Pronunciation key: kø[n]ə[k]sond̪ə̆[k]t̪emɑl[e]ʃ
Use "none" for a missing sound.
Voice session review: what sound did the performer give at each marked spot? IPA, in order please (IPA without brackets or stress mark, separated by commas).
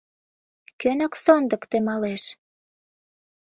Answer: n, k, k, e